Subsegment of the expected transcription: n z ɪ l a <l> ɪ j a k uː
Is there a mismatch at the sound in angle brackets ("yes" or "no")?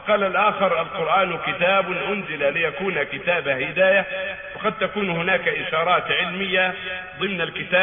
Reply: no